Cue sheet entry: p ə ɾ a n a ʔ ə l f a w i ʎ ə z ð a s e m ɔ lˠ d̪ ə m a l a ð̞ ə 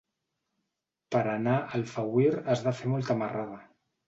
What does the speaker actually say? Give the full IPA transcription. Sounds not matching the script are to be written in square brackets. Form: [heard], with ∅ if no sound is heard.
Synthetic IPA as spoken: p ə ɾ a n a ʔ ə l f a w i [ɾ] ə z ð a [f] e m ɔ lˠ [t̪] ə m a [r] a ð̞ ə